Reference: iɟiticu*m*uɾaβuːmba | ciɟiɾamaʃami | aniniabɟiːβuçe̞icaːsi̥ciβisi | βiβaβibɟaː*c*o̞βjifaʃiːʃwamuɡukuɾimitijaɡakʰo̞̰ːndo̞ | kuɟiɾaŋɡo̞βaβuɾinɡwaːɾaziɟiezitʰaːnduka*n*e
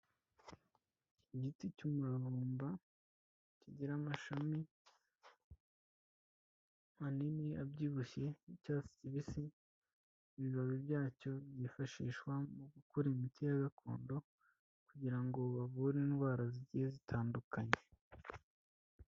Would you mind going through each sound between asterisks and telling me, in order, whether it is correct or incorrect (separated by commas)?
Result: correct, correct, incorrect